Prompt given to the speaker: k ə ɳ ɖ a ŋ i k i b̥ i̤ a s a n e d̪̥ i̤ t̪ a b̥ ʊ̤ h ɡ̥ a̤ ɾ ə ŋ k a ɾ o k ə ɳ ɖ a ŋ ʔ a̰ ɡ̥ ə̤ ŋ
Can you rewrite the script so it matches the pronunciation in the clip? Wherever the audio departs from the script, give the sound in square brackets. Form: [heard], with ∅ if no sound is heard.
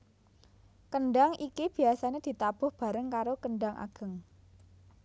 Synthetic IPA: k ə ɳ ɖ a ŋ i k i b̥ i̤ a s a n e d̪̥ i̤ t̪ a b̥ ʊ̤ h [b̥] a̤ ɾ ə ŋ k a ɾ o k ə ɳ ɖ a ŋ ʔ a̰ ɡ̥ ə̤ ŋ